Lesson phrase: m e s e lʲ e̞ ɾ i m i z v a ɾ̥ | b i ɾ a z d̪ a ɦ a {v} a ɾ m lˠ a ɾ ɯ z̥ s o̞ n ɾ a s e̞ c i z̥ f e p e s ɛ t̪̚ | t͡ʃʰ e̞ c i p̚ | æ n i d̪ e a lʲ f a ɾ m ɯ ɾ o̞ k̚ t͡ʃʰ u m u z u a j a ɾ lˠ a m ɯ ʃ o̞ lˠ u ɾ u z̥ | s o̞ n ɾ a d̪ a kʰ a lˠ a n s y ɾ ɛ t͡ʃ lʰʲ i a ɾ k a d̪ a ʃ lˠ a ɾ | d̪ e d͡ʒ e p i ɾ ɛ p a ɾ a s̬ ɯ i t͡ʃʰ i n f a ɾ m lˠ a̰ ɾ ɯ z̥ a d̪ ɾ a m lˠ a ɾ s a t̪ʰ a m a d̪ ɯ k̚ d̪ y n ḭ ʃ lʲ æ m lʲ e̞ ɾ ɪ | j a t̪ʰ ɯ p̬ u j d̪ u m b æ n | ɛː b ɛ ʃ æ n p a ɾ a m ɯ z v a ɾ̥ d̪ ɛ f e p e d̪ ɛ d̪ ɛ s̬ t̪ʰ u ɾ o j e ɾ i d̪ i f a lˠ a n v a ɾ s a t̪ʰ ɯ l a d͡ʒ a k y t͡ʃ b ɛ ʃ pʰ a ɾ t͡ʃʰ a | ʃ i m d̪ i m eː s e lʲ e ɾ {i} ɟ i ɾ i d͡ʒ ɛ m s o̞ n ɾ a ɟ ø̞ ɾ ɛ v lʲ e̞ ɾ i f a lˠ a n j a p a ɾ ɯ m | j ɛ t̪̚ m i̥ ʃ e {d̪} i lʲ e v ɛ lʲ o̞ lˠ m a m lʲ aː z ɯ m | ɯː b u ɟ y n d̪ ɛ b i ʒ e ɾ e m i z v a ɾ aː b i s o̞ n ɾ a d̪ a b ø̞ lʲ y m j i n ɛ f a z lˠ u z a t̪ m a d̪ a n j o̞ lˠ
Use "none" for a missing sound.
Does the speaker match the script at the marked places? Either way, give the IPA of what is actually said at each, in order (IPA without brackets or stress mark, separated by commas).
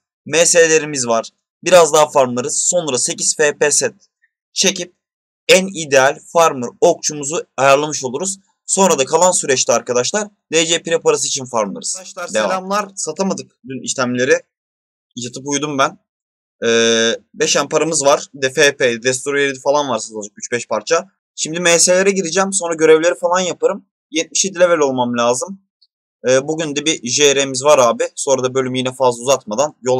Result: f, ɛ, d̪